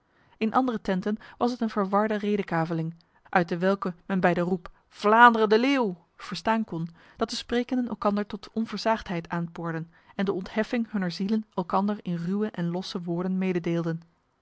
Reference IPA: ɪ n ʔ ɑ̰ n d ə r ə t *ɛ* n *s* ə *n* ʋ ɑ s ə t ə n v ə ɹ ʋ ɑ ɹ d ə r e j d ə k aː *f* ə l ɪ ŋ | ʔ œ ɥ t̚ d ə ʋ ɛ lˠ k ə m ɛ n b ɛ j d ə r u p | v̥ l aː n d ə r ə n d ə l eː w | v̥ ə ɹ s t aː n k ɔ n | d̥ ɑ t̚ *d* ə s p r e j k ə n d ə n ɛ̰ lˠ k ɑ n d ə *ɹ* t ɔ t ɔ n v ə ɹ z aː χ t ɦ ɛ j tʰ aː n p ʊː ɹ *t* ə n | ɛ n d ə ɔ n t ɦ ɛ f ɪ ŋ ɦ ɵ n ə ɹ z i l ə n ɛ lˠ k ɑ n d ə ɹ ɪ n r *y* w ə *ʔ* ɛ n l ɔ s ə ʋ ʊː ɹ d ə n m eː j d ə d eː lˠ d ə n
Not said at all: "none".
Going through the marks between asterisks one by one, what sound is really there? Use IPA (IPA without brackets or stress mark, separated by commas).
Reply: ɛ, t, n, v, d, ɹ, d, y, ʔ